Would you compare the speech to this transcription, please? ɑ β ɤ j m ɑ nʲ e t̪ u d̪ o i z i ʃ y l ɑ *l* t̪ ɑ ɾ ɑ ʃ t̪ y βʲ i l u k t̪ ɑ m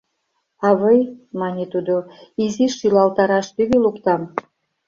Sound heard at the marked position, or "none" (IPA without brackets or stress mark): l